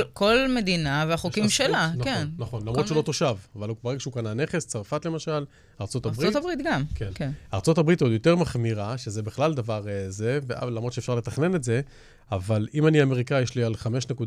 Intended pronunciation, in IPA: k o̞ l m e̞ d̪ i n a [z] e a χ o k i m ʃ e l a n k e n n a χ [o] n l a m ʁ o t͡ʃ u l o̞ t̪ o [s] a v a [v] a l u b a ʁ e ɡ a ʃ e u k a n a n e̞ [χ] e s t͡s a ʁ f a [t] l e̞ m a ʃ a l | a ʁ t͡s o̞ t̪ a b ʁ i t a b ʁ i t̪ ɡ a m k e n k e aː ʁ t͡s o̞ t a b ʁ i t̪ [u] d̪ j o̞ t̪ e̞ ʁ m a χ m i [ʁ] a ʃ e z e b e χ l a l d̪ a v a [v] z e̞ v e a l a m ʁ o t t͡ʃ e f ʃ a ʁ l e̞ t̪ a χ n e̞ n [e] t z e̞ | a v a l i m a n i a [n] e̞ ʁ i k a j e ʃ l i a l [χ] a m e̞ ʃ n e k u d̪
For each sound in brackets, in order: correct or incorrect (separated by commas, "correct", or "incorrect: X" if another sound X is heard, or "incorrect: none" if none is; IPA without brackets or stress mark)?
incorrect: v, correct, incorrect: ʃ, correct, correct, correct, incorrect: o, correct, incorrect: ʁ, correct, incorrect: m, correct